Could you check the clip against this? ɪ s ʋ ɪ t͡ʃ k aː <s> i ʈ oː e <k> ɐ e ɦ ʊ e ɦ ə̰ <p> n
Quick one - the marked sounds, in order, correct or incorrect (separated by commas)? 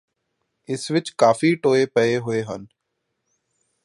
incorrect, incorrect, incorrect